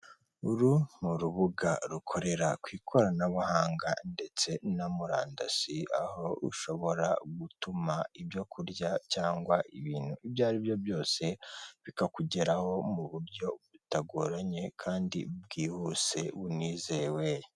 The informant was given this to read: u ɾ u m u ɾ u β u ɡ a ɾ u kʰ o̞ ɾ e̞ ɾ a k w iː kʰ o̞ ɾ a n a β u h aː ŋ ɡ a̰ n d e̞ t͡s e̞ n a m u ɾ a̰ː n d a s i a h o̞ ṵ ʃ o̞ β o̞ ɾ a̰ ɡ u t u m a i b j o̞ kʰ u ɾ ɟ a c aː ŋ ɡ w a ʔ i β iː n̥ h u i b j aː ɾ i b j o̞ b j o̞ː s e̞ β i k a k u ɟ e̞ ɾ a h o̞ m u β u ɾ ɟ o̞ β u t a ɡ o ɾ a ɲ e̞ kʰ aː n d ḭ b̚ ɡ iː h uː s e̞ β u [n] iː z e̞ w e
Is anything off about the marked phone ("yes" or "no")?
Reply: no